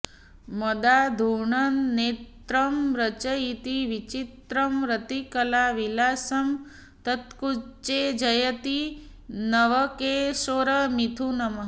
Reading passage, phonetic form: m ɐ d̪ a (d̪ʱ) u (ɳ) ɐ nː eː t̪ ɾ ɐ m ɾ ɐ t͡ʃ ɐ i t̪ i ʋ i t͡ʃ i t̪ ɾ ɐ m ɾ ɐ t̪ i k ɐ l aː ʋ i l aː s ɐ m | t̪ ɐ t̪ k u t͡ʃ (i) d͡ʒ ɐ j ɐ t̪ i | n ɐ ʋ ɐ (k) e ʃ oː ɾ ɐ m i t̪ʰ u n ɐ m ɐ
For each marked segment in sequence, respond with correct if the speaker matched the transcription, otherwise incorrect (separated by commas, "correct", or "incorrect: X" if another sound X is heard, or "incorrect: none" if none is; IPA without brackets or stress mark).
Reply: correct, correct, incorrect: e, correct